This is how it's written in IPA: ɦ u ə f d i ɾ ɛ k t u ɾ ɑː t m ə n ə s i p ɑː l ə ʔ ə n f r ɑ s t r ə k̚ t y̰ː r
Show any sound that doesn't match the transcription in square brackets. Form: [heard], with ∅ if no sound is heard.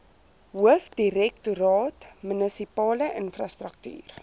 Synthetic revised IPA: ɦ u ə f d i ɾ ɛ k t u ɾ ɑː t m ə n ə s i p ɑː l ə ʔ ə n f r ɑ s t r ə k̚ t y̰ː r